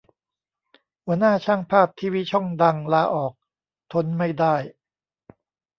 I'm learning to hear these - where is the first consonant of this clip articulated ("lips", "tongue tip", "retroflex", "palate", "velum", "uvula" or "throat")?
throat